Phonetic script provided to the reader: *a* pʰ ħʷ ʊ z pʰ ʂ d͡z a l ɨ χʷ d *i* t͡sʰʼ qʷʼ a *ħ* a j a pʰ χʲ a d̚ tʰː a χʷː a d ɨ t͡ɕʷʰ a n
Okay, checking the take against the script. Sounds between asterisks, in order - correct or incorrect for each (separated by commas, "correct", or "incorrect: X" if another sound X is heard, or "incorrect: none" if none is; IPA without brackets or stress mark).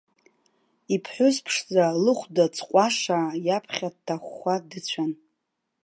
incorrect: i, incorrect: a, incorrect: ʂ